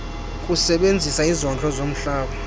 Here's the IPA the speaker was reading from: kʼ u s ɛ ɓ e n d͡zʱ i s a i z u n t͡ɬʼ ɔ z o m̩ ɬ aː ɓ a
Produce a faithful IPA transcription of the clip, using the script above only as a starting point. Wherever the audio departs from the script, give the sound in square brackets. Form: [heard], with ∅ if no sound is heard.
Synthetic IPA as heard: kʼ u s ɛ ɓ e n d͡zʱ i s a i z [ɔ] n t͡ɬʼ ɔ z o m̩ ɬ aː ɓ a